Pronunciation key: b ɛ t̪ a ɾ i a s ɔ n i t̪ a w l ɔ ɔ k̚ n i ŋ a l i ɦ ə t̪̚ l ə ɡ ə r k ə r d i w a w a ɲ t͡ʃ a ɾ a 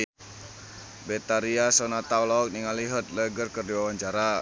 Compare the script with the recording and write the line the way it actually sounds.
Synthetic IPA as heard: b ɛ t̪ a ɾ i a s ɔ n a t̪ a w l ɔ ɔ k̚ n i ŋ a l i ɦ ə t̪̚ l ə ɡ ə r k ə r d i w a w a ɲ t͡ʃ a ɾ a